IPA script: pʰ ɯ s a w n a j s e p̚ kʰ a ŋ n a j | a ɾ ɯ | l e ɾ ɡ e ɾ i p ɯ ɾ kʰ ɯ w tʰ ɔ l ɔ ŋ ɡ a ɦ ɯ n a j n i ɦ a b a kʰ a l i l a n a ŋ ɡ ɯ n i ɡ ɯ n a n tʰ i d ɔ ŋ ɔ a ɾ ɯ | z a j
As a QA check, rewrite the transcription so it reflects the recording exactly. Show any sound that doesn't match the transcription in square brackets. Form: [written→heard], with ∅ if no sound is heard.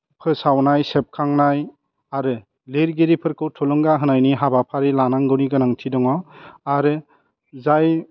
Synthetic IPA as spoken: pʰ ɯ s a w n a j s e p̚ kʰ a ŋ n a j | a ɾ ɯ | l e ɾ ɡ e ɾ i [p→pʰ] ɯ ɾ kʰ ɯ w tʰ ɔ l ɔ ŋ ɡ a ɦ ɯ n a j n i ɦ a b a [kʰ→pʰ] a [l→ɾ] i l a n a ŋ ɡ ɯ n i ɡ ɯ n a [n→ŋ] tʰ i d ɔ ŋ ɔ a ɾ ɯ | z a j